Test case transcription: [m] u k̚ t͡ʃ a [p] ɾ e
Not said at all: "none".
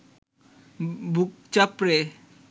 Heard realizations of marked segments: b, p

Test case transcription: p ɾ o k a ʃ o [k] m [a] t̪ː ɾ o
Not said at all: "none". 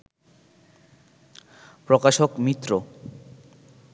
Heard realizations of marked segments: k, i

